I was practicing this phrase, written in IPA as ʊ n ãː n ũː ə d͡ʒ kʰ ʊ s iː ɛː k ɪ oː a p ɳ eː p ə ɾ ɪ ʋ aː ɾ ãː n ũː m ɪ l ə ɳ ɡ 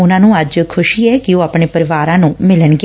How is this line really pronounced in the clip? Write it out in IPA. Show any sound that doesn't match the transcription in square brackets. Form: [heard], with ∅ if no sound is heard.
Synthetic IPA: ʊ n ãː n ũː ə d͡ʒ kʰ ʊ [ʃ] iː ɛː k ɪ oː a p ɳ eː p ə ɾ ɪ ʋ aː ɾ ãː n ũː m ɪ l ə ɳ ɡ